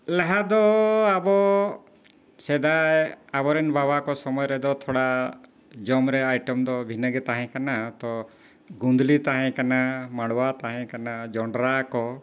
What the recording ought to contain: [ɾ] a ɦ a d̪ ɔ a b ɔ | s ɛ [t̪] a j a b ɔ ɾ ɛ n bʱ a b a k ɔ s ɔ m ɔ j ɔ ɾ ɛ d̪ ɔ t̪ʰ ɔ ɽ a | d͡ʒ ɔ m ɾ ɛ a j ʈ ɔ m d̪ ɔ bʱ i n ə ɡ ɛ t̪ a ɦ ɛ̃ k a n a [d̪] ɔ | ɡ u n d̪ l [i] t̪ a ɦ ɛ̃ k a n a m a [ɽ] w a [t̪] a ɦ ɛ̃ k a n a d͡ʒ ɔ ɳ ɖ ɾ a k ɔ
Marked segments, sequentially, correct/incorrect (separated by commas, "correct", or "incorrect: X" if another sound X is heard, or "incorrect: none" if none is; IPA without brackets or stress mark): incorrect: l, incorrect: d̪, incorrect: t̪, correct, correct, correct